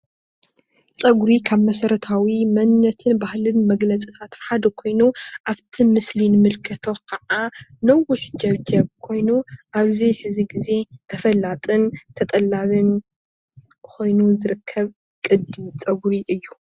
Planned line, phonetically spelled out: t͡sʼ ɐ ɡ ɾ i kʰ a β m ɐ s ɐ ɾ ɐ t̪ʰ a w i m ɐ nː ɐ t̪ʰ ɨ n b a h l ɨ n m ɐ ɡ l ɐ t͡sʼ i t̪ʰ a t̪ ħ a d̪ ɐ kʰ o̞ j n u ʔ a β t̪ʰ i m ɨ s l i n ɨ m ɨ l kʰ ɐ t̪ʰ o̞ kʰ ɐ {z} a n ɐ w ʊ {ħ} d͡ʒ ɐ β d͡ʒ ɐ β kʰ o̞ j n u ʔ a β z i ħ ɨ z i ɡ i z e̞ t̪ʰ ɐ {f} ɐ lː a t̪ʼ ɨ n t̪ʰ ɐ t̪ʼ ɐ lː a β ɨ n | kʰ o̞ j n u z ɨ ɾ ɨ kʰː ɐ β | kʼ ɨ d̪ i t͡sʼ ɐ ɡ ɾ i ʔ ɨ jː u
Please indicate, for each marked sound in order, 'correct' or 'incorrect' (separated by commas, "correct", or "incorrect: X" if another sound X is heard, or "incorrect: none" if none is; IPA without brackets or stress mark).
incorrect: ʕ, correct, correct